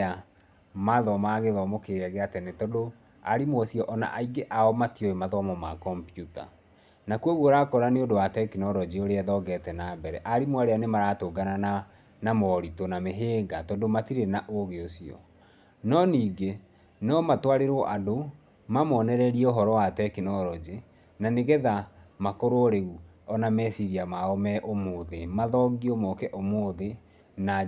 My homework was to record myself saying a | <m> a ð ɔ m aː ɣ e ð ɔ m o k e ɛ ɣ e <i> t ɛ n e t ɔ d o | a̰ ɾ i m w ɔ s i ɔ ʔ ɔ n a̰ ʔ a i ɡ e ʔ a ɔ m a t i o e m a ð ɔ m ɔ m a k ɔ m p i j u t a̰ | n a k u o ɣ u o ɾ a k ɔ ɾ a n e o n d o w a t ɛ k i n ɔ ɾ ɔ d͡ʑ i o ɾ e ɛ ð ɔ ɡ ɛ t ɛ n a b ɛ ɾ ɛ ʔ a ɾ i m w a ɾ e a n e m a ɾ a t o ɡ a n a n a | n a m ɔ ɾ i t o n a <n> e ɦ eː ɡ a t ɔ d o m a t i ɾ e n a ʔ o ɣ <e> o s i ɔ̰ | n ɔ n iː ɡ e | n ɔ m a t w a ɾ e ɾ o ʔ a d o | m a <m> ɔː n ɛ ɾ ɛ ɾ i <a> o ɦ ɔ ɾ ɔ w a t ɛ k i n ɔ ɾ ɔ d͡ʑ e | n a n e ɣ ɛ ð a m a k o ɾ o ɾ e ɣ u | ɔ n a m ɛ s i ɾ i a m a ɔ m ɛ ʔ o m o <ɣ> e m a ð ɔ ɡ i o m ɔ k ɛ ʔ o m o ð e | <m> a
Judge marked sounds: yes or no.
yes, no, no, yes, yes, no, no, no

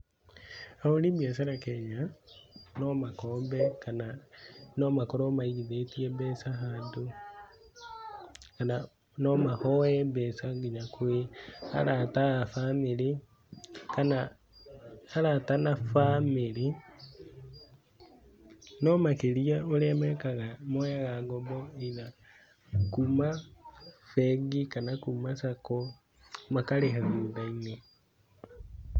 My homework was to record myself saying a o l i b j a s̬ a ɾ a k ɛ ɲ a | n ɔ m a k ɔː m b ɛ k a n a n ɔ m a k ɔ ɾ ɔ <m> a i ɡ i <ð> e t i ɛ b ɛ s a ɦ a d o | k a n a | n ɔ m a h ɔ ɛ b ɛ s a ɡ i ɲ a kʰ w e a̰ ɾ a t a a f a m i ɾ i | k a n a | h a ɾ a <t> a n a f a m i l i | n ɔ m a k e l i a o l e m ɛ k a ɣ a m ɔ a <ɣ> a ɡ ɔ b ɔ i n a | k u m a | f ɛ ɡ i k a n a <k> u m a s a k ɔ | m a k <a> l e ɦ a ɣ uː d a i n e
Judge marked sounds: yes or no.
yes, yes, yes, yes, yes, yes

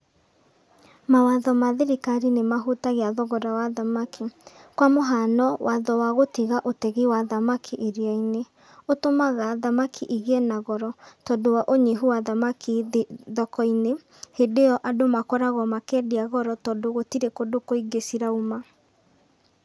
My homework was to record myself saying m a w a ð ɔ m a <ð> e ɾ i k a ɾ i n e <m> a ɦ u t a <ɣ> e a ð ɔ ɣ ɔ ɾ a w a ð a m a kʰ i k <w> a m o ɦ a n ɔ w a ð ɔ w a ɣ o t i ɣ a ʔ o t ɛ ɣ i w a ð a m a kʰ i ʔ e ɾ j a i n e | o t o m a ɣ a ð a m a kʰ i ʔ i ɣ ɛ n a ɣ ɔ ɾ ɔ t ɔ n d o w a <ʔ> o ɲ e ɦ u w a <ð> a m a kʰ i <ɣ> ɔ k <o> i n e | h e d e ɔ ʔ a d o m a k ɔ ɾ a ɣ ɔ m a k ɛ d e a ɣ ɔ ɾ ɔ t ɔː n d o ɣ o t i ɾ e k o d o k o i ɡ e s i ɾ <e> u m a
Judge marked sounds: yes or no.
yes, yes, yes, yes, yes, yes, no, no, no

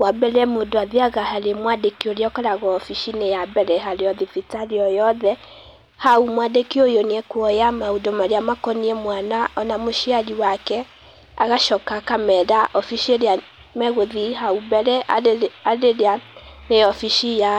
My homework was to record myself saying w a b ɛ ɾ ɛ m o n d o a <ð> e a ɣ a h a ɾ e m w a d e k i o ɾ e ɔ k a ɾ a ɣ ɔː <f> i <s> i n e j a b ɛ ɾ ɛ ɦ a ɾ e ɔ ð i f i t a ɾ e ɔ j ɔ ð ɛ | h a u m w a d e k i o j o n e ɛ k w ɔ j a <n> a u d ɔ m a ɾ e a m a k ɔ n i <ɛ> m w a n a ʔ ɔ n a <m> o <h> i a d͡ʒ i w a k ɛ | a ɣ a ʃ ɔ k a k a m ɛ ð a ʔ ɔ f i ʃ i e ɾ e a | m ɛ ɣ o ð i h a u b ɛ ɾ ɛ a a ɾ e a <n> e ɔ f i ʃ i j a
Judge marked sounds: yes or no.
yes, yes, no, no, yes, yes, no, yes

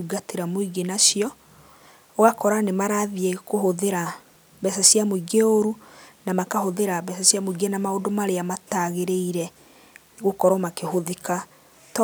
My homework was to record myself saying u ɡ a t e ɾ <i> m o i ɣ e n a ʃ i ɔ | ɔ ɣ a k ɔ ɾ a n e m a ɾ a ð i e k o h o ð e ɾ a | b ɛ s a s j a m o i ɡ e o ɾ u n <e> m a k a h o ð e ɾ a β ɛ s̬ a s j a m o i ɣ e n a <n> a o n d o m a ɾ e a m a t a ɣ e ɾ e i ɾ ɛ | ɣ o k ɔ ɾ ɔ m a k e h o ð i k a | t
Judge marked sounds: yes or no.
no, no, no

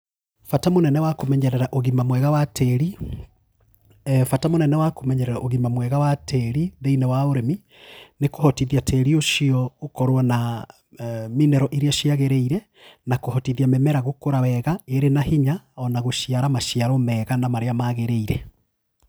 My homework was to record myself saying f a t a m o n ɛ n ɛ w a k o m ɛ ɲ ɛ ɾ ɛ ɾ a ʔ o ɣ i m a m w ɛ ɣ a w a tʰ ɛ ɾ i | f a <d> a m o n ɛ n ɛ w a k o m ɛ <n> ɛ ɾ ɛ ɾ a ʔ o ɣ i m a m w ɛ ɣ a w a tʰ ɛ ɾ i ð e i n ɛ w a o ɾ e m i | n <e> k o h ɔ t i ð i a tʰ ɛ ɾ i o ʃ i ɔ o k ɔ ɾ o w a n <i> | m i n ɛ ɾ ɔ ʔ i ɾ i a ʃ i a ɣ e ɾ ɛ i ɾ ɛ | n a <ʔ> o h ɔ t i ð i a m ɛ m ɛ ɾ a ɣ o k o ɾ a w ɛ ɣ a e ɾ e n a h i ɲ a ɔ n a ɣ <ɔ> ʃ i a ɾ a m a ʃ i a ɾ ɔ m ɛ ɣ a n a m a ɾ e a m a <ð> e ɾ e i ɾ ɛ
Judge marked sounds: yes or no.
no, no, yes, no, no, no, no

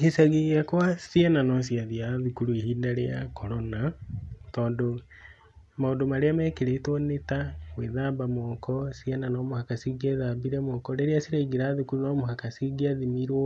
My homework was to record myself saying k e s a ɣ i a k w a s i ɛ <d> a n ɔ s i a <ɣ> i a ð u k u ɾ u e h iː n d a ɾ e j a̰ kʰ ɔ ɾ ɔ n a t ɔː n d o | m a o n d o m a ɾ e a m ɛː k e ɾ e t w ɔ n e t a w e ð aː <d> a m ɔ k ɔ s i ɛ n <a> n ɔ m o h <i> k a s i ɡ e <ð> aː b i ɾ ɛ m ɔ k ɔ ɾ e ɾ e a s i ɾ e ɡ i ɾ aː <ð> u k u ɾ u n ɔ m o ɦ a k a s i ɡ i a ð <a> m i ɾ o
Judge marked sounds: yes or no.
no, no, no, yes, no, yes, yes, no

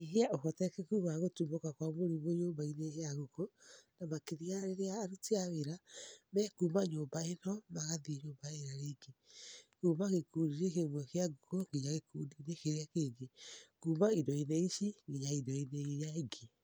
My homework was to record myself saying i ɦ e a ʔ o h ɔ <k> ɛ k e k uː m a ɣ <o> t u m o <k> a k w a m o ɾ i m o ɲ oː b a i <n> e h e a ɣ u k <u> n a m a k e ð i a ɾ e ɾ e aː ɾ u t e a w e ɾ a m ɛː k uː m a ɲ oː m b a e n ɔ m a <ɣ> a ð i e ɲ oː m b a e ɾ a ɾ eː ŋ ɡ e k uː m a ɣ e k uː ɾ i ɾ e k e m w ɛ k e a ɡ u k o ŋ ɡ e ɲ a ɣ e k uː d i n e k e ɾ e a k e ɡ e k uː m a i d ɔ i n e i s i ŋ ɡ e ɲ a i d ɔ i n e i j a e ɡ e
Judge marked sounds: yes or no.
no, yes, yes, yes, no, yes

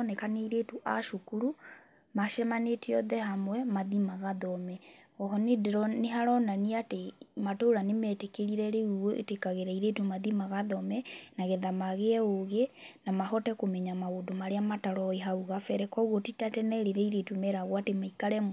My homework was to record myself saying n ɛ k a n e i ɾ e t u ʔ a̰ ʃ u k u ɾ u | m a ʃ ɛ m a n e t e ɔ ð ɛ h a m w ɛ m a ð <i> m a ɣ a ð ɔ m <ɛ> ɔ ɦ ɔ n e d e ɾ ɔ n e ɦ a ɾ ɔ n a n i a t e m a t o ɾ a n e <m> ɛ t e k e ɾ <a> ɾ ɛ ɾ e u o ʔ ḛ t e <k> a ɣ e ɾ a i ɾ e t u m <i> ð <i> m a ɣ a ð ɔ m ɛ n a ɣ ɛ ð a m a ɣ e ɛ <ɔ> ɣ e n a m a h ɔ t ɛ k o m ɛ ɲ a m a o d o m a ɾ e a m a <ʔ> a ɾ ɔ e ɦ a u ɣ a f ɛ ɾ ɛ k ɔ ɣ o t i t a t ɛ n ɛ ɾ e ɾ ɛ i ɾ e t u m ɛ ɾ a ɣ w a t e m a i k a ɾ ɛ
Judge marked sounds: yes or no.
yes, yes, yes, no, yes, no, yes, no, no

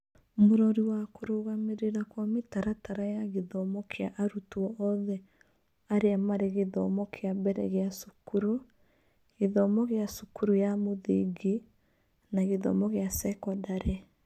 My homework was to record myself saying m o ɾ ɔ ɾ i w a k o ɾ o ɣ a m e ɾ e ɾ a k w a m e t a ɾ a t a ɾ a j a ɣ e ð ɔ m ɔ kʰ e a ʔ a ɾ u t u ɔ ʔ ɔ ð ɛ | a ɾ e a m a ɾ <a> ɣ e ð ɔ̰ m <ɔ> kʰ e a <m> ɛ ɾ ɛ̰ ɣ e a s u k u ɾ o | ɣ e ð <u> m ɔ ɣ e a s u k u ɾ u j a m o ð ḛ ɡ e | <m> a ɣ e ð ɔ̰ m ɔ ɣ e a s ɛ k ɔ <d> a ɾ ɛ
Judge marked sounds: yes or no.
no, yes, no, no, no, yes

